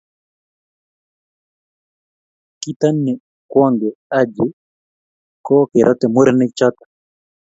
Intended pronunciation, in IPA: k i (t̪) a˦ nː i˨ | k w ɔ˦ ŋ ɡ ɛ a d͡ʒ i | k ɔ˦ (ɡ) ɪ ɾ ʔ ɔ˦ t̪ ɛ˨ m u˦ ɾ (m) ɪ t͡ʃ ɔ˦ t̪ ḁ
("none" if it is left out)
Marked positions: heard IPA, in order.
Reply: t̪, k, n

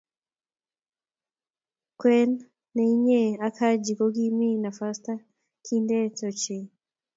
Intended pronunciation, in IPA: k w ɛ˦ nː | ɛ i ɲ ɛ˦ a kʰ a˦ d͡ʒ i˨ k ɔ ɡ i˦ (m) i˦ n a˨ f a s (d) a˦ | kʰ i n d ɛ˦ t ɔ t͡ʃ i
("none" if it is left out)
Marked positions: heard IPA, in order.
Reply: m, t

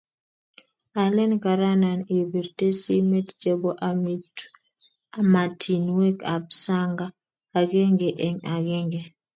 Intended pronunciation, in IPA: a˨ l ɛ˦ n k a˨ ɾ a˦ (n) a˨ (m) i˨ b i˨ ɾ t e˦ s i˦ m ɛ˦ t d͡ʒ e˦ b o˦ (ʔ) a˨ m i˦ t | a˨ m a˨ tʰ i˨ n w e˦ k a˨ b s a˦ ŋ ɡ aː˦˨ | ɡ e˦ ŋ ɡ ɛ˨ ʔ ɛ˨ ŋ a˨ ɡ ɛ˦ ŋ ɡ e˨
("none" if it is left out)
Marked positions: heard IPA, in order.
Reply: n, n, ʔ

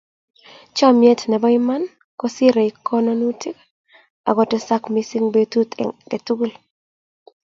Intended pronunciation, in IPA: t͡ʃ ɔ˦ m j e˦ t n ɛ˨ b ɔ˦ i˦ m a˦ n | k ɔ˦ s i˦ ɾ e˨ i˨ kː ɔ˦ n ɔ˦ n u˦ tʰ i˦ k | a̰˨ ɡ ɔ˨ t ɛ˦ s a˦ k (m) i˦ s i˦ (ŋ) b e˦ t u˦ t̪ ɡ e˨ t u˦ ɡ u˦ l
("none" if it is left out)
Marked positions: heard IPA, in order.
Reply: m, ŋ

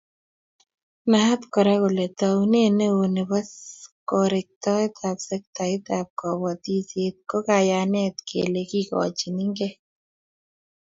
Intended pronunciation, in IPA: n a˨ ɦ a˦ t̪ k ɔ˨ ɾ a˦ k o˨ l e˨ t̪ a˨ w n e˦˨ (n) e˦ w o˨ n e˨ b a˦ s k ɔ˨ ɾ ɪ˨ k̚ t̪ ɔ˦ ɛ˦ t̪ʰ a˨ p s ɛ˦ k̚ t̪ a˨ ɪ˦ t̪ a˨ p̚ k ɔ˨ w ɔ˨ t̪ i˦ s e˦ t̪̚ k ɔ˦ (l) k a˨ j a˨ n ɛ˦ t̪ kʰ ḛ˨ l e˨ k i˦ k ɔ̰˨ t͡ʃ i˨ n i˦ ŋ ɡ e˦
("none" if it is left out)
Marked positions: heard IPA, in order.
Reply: n, none

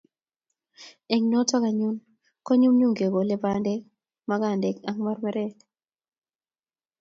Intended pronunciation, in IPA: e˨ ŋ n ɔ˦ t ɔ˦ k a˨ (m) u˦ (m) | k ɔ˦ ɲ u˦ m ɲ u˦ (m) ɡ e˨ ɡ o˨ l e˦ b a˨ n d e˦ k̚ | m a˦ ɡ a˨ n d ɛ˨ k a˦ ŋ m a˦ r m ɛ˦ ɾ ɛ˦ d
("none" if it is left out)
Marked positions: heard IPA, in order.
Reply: ɲ, n, ŋ

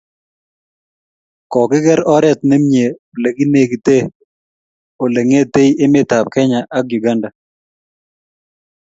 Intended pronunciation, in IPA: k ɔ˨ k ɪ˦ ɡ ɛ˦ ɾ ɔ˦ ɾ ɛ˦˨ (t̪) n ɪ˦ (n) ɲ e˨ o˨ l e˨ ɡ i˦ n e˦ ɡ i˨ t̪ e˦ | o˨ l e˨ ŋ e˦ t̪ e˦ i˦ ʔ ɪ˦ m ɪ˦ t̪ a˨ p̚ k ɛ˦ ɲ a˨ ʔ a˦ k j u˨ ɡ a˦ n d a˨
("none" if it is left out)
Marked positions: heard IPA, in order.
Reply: t̪, m

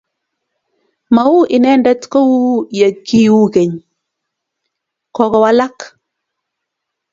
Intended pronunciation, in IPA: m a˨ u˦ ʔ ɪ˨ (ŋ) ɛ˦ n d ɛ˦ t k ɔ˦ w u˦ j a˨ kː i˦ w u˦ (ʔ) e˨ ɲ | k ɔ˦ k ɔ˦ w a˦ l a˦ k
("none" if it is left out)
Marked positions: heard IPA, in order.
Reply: n, k

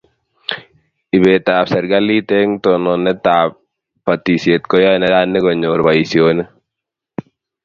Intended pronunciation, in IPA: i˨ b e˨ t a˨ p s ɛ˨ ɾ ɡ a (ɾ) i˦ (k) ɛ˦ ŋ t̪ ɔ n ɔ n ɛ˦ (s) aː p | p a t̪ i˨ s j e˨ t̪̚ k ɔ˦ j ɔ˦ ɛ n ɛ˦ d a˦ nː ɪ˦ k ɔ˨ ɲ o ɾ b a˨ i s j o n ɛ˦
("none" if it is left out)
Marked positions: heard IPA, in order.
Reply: l, t, t

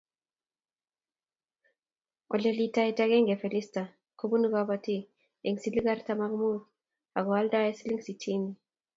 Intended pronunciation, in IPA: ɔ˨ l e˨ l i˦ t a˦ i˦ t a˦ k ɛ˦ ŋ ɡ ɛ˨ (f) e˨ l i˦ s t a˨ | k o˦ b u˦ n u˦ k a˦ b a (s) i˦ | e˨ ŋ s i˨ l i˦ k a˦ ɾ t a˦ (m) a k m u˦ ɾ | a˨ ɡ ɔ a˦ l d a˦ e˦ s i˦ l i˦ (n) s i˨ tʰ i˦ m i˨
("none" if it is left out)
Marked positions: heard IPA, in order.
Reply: f, t, m, ŋ

